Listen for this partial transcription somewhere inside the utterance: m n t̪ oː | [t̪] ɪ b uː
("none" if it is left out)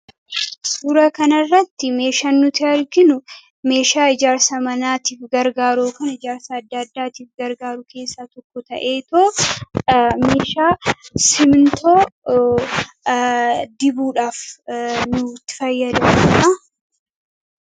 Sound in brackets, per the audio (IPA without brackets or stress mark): d̪